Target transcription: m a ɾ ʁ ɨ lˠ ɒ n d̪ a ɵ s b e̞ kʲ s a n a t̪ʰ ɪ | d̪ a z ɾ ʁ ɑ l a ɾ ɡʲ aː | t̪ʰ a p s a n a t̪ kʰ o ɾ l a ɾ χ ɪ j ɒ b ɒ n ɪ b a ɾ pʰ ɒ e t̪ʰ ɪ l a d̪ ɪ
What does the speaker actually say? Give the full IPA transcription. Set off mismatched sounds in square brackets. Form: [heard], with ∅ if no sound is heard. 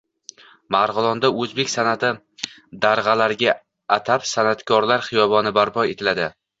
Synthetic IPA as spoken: m a ɾ ʁ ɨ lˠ ɒ n d̪ a ɵ [z] b e̞ kʲ s a n a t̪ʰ ɪ | d̪ a [∅] ɾ ʁ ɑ l a ɾ ɡʲ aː | t̪ʰ a p s a n a t̪ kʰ [ɒ] ɾ l a ɾ χ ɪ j ɒ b ɒ n ɪ b a ɾ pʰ ɒ e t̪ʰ ɪ l a d̪ ɪ